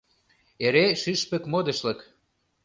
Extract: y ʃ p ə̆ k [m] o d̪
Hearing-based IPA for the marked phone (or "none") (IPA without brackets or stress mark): m